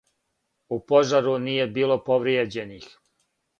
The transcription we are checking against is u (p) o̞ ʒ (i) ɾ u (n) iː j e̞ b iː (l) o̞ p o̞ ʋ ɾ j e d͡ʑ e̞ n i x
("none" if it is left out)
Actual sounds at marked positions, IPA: p, a, n, l

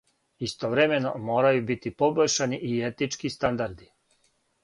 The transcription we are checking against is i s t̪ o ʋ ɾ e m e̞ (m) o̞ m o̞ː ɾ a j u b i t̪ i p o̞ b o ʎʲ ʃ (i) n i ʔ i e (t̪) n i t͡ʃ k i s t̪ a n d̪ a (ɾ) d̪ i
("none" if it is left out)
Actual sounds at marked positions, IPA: n, a, t̪, ɾ

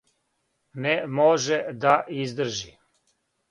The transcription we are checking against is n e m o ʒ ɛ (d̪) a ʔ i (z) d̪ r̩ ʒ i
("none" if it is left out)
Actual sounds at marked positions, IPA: d̪, z

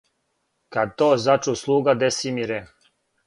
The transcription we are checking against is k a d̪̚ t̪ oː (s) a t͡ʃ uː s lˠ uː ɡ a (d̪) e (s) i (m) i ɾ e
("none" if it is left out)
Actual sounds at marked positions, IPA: z, d̪, s, m

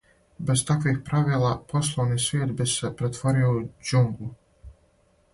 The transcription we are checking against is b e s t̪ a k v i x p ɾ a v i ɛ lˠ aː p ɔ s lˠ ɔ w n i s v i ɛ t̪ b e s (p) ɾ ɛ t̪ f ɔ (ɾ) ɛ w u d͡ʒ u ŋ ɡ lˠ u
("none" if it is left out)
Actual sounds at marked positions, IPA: p, ɾ

